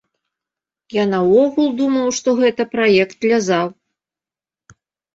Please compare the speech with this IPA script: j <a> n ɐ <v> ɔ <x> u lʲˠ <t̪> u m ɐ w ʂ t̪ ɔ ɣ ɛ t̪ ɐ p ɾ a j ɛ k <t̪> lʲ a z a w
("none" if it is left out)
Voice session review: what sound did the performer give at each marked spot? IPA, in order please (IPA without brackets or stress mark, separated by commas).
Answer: a, w, ɣ, d̪, t̪